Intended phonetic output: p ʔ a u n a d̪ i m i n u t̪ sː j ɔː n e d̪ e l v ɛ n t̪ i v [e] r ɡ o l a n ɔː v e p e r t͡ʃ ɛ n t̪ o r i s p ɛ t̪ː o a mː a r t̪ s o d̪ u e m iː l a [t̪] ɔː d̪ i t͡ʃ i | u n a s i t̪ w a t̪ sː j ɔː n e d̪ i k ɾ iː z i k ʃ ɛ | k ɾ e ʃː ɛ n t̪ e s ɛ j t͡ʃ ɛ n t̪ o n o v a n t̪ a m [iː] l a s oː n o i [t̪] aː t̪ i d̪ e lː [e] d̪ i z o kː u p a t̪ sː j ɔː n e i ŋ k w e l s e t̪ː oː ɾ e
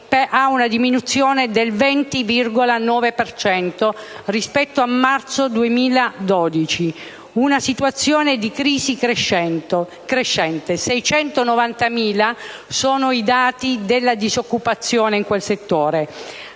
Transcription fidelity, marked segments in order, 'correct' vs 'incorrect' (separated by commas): incorrect, incorrect, correct, incorrect, incorrect